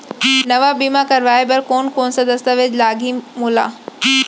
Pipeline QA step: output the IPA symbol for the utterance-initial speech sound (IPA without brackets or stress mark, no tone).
n